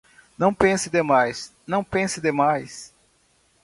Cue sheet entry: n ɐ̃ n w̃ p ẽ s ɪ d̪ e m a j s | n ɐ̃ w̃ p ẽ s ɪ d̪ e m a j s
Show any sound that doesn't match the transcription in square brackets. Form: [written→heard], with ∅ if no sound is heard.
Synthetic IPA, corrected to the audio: n ɐ̃ [n→∅] w̃ p ẽ s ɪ d̪ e m a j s | n ɐ̃ w̃ p ẽ s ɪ d̪ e m a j s